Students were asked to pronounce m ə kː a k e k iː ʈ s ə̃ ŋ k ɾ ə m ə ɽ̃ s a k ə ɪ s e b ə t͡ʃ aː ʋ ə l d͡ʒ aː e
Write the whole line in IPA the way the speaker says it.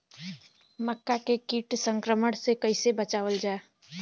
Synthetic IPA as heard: m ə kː a k e k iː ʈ s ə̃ ŋ k ɾ ə m ə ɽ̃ s e k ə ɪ s e b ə t͡ʃ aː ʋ ə l d͡ʒ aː e